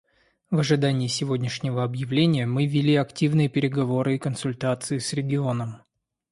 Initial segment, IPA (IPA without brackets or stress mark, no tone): v